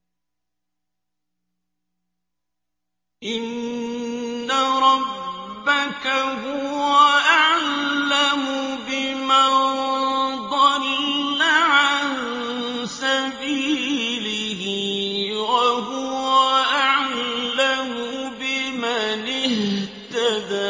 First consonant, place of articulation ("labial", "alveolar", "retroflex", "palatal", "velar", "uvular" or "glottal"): glottal